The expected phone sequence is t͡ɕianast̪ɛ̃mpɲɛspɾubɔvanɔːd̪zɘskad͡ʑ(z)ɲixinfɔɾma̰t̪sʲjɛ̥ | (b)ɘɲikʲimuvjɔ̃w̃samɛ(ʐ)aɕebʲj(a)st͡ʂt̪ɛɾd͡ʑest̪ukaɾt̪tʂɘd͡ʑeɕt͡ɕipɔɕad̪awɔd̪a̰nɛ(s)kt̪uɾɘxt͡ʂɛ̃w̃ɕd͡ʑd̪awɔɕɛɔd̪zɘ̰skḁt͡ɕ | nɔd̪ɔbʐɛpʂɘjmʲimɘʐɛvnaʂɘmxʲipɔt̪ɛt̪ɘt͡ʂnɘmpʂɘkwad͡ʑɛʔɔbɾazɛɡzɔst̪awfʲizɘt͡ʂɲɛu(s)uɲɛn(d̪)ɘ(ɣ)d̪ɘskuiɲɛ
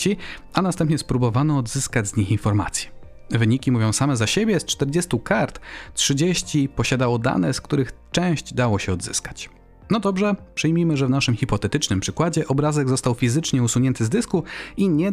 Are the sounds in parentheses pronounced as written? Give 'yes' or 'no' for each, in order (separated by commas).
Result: yes, no, no, no, yes, yes, no, no